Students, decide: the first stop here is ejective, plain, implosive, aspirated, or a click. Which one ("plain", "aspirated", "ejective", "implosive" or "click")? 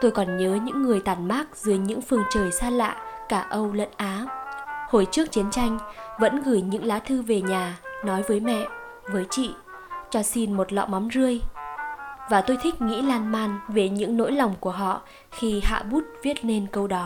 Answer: plain